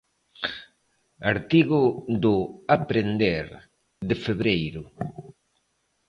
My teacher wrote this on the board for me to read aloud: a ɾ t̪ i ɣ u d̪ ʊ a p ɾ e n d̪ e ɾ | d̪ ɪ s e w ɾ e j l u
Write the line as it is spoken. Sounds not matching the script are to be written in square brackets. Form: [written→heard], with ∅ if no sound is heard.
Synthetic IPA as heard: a ɾ t̪ i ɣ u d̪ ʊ a p ɾ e n d̪ e ɾ | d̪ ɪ [s→f] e [w→β] ɾ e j [l→ɾ] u